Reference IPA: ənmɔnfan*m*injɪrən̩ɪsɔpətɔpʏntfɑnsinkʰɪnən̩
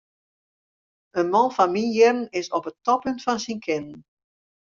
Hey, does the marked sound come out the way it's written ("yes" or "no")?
yes